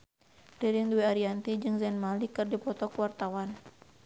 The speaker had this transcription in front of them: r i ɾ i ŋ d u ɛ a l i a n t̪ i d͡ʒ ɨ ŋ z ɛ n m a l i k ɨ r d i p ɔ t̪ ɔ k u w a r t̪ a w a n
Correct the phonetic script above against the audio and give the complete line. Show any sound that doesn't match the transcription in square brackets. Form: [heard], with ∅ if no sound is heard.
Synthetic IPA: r i ɾ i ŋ d u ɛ a [ɾ] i a n t̪ i d͡ʒ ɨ ŋ z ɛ n m a l i k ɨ r d i p ɔ t̪ ɔ k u w a r t̪ a w a n